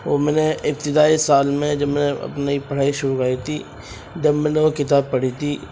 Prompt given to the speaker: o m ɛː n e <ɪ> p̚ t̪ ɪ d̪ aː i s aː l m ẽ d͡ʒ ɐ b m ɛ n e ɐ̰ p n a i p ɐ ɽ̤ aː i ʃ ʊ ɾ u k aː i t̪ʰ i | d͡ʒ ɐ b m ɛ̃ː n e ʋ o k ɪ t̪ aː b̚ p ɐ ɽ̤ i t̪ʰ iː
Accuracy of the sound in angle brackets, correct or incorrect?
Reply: correct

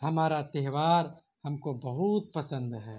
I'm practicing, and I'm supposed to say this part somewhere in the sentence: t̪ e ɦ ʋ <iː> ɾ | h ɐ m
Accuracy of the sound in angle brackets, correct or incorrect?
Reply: incorrect: aː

